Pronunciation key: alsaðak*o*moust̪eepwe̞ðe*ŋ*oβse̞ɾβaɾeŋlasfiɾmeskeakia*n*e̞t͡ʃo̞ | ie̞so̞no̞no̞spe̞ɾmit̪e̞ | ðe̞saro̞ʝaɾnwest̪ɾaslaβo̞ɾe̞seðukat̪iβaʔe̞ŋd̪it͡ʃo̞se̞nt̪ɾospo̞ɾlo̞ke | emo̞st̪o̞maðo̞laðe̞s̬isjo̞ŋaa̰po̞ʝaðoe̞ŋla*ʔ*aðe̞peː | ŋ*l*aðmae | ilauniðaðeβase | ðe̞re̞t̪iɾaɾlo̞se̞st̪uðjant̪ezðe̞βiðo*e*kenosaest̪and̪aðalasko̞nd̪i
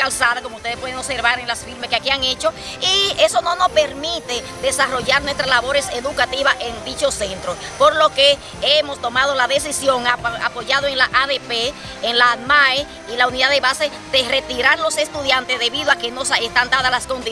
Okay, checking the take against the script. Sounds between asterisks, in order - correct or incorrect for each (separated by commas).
correct, correct, incorrect, correct, correct, incorrect